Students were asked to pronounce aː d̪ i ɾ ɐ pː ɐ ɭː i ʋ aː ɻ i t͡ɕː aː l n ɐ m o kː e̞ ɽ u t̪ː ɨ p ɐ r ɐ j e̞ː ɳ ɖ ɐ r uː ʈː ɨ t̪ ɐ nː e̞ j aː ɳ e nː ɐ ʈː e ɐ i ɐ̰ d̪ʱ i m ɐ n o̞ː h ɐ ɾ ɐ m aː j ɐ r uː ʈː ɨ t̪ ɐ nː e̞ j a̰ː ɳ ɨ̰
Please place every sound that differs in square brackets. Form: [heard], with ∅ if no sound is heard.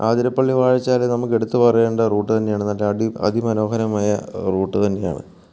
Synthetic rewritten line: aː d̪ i ɾ ɐ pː ɐ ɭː i ʋ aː ɻ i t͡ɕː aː l n ɐ m [u] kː e̞ ɽ u t̪ː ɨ p ɐ r ɐ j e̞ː ɳ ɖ ɐ r uː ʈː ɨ t̪ ɐ nː e̞ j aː ɳ e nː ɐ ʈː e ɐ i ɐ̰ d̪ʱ i m ɐ n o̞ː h ɐ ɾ ɐ m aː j ɐ r uː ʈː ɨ t̪ ɐ nː e̞ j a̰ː ɳ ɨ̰